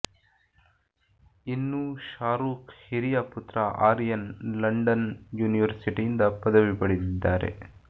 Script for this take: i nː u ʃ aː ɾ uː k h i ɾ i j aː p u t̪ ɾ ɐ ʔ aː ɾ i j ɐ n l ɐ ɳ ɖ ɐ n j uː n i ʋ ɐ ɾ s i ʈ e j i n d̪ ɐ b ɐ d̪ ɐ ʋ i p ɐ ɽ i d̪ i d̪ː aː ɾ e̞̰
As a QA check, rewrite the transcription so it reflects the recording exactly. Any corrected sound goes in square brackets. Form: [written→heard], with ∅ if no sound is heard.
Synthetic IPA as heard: i nː u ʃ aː ɾ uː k h i ɾ i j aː p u t̪ ɾ ɐ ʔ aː ɾ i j ɐ n l ɐ ɳ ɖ ɐ n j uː n i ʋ ɐ ɾ s i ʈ [e→i] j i n d̪ ɐ [b→p] ɐ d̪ ɐ ʋ i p ɐ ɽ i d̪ i d̪ː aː ɾ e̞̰

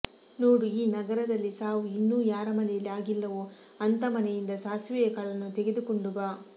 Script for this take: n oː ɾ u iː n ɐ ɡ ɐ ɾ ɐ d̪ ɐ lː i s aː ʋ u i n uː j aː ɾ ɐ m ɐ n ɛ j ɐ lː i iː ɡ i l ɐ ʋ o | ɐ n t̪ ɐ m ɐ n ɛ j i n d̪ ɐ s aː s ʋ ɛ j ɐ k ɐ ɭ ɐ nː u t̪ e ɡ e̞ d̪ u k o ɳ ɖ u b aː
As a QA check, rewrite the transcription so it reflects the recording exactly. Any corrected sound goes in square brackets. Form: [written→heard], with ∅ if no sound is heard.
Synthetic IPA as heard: n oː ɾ u iː n ɐ ɡ ɐ ɾ ɐ d̪ ɐ lː i s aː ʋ u i [n→nː] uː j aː ɾ ɐ m ɐ n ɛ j ɐ lː i [iː→aː] ɡ i [l→lː] ɐ ʋ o | ɐ n t̪ ɐ m ɐ n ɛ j i n d̪ ɐ s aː s ʋ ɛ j ɐ k ɐ ɭ ɐ nː u t̪ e ɡ e̞ d̪ u k o ɳ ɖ u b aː

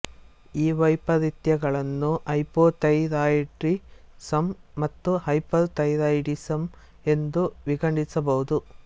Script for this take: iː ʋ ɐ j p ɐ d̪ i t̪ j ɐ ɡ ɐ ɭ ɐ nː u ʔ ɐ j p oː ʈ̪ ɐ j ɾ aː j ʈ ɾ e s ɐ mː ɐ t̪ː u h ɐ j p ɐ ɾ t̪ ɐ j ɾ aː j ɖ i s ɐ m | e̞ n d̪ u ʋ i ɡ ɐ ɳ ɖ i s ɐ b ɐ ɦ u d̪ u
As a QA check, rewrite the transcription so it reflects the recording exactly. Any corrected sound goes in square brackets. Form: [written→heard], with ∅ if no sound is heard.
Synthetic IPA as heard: iː ʋ ɐ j p ɐ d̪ i t̪ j ɐ ɡ ɐ ɭ ɐ nː u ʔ ɐ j p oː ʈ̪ ɐ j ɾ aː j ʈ ɾ [e→i] s ɐ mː ɐ t̪ː u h ɐ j p ɐ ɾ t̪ ɐ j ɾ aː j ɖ i s ɐ m | e̞ n d̪ u ʋ i ɡ ɐ ɳ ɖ i s ɐ b ɐ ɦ u d̪ u

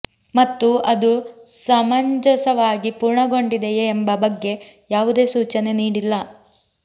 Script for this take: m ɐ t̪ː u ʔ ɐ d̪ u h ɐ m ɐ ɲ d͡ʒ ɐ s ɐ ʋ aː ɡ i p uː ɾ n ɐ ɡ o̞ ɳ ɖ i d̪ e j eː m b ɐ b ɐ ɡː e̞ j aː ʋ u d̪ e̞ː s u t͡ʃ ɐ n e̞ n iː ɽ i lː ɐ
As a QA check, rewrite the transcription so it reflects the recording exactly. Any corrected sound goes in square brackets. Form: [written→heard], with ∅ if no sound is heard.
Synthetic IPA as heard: m ɐ t̪ː u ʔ ɐ d̪ u [h→s] ɐ m ɐ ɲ d͡ʒ ɐ s ɐ ʋ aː ɡ i p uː ɾ [n→ɳ] ɐ ɡ o̞ ɳ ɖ i d̪ e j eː m b ɐ b ɐ ɡː e̞ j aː ʋ u d̪ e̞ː s [u→uː] t͡ʃ ɐ n e̞ n iː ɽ i lː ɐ

